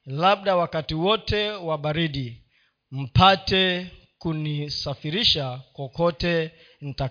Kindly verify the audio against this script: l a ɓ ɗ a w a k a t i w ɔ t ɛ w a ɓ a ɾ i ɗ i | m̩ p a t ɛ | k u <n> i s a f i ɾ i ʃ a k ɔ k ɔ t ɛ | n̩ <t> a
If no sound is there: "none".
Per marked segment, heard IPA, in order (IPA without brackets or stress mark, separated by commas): n, t